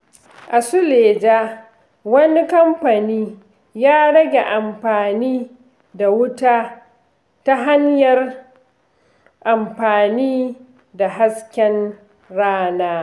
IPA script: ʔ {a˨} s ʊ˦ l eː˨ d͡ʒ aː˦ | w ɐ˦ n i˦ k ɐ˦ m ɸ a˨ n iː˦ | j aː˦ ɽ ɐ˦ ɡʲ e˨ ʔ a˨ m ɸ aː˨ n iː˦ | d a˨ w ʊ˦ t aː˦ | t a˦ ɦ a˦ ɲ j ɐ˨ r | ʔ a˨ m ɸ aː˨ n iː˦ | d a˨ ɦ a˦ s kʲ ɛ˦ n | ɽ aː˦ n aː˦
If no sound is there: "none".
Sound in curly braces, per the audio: a˨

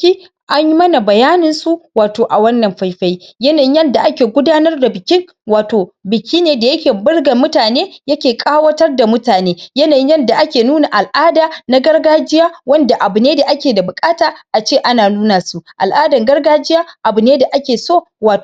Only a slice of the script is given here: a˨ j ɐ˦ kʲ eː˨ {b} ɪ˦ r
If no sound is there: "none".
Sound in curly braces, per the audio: b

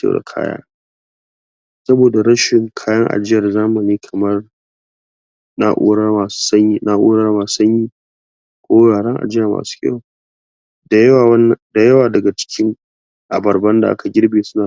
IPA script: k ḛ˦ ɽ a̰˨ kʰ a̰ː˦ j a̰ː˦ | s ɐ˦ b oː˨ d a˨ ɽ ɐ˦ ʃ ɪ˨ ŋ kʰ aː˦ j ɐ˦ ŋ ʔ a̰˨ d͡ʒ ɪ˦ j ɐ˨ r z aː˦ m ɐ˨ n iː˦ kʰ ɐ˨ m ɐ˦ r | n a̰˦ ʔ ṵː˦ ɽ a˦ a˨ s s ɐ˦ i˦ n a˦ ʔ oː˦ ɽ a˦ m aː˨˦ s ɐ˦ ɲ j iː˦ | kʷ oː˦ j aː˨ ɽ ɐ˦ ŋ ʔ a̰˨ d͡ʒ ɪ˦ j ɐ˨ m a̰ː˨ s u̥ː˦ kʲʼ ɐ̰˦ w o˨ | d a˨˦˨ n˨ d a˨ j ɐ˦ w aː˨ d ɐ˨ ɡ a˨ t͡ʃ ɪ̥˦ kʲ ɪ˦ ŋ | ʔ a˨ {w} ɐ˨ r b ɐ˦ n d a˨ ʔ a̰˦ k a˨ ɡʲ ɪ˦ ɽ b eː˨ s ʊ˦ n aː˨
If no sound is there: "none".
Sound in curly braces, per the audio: b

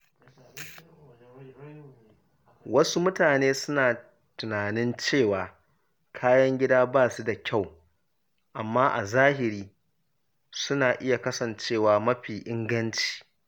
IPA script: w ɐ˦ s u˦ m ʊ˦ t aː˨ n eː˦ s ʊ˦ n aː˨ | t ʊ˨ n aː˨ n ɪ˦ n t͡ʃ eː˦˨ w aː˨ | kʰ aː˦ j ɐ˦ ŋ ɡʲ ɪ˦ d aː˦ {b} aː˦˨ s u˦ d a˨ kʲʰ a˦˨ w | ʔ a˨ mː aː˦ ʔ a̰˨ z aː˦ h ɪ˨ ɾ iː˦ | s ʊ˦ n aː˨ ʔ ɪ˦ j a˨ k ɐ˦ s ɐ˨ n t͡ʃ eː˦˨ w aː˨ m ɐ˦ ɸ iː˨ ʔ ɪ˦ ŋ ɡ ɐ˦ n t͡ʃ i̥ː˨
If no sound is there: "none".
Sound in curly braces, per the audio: b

